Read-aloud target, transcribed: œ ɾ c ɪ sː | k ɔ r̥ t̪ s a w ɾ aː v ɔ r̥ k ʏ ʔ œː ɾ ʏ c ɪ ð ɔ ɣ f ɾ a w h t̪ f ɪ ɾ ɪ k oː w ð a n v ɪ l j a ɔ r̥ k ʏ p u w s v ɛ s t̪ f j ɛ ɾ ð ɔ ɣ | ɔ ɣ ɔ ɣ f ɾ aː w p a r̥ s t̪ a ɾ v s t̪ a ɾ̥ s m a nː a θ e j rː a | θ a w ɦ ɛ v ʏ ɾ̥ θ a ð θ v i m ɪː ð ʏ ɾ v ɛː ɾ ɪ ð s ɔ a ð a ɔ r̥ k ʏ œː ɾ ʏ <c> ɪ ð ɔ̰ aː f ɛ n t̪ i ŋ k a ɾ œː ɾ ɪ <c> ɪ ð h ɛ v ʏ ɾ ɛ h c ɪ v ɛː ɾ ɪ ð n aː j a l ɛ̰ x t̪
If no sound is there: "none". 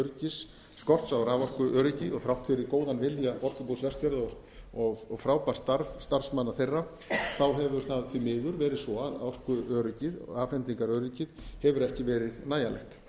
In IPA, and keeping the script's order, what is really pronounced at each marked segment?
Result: c, c

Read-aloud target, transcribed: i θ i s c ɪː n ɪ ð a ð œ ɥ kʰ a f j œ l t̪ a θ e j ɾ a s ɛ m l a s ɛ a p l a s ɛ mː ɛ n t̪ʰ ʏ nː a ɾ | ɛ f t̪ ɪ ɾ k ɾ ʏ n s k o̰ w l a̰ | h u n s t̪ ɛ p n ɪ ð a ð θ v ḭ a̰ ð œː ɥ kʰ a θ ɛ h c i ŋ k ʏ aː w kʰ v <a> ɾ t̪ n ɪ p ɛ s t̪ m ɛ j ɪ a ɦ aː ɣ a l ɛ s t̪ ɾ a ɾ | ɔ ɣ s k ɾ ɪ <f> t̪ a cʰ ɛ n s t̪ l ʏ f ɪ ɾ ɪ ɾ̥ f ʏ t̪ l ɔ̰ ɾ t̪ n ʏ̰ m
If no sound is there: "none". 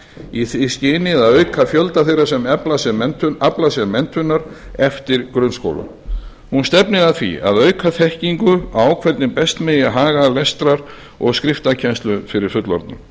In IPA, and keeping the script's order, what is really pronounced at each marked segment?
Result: ɛ, f

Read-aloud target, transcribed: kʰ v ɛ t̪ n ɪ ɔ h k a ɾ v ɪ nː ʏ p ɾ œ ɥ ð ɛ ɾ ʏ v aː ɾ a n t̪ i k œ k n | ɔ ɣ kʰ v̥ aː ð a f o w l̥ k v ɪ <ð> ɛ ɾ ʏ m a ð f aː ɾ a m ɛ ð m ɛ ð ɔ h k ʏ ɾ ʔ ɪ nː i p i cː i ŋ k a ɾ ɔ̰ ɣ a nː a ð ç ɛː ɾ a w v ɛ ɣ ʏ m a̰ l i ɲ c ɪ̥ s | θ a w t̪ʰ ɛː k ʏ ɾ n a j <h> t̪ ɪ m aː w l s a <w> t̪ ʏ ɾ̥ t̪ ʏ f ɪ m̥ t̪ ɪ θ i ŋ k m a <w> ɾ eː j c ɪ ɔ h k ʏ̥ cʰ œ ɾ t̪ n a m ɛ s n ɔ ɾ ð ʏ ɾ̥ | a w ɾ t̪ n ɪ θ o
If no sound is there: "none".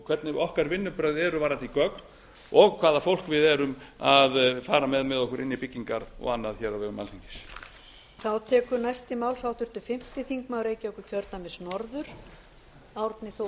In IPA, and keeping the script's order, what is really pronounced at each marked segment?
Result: ð, s, w, w

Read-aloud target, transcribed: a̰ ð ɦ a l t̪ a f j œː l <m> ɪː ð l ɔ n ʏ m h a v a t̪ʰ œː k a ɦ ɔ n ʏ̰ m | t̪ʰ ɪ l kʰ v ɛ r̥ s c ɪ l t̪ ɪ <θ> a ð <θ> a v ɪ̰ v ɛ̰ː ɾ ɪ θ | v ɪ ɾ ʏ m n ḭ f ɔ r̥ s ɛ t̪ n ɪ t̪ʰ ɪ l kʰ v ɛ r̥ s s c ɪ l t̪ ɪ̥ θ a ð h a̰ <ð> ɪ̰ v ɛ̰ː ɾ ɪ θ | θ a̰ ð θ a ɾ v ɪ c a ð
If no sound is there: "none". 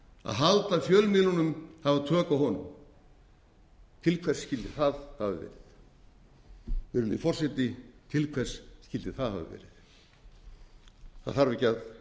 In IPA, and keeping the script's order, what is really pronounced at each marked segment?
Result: m, θ, h, v

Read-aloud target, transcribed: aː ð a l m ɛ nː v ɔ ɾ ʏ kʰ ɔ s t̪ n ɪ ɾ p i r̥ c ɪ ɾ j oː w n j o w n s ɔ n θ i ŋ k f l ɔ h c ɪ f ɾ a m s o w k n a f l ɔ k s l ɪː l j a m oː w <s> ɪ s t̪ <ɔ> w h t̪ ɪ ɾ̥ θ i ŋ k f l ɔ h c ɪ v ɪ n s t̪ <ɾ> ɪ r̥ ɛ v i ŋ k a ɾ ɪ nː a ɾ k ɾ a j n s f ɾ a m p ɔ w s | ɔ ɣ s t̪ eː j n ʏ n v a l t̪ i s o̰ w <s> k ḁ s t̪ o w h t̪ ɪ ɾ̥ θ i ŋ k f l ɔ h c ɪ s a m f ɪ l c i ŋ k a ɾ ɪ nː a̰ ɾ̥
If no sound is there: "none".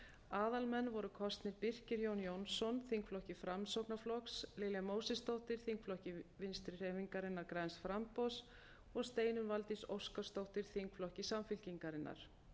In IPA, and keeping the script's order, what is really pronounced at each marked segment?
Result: s, o, ɾ, s

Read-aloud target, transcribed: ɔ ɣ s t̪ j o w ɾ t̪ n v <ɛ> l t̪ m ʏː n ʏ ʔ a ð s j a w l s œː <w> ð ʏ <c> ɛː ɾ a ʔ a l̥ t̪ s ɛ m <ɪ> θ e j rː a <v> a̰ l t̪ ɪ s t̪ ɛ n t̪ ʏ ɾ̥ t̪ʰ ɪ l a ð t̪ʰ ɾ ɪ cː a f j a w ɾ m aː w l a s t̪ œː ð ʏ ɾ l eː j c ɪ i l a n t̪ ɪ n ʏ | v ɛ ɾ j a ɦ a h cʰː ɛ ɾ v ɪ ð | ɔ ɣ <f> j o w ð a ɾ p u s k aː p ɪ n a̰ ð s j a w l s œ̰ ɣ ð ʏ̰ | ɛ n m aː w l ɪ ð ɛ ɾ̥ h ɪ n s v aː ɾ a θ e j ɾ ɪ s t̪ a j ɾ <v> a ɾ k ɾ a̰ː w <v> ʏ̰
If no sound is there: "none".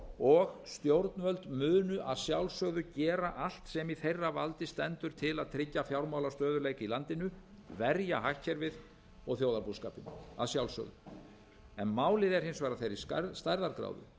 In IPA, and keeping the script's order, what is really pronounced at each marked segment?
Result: œ, ɣ, c, i, v, θ, ð, ð

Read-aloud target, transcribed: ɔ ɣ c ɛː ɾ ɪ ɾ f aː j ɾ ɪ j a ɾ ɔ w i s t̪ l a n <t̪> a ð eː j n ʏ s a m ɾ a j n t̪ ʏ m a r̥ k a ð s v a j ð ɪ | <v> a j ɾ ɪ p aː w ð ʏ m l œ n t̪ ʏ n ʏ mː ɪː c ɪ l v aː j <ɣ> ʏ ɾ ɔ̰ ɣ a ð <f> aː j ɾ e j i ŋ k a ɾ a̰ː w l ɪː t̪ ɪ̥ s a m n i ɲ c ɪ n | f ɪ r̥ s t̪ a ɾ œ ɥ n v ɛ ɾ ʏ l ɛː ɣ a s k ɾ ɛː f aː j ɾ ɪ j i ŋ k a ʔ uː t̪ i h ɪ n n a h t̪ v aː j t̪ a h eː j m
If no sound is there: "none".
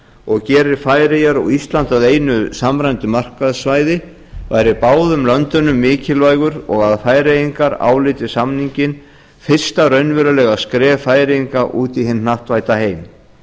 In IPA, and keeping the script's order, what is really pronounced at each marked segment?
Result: t̪, v, ɣ, f

